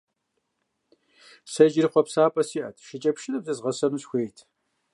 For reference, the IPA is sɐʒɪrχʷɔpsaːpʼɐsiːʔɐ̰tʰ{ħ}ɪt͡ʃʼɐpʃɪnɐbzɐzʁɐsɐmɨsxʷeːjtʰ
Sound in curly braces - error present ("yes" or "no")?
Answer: yes